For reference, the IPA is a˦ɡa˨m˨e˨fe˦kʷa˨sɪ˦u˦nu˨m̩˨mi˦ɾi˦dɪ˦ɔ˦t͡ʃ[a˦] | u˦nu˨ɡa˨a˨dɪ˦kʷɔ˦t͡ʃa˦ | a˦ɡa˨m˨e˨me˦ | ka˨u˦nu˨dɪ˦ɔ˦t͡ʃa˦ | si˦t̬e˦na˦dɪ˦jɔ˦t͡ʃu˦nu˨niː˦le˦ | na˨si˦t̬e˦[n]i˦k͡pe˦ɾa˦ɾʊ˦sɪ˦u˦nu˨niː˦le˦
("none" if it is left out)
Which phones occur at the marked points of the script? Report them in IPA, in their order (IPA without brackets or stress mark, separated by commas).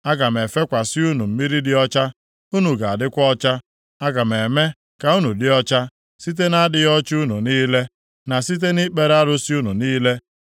a˦, n